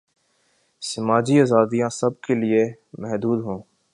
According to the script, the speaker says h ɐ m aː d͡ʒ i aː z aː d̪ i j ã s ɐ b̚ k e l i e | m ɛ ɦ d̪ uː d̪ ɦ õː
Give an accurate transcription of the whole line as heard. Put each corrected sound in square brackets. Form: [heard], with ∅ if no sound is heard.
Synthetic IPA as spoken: [s] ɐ m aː d͡ʒ i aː z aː d̪ i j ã s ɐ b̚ k e l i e | m ɛ ɦ d̪ uː d̪ ɦ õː